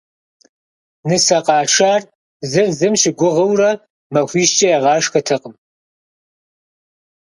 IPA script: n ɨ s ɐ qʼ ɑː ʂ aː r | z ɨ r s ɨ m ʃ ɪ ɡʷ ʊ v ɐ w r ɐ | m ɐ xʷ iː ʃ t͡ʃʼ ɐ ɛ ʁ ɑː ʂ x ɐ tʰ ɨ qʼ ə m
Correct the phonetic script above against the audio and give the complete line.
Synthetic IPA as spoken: n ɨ s ɐ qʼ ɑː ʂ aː r | z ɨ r z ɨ m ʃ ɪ ɡʷ ʊ ʁ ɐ w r ɐ | m ɐ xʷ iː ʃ t͡ʃʼ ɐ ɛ ʁ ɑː ʂ x ɐ tʰ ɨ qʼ ə m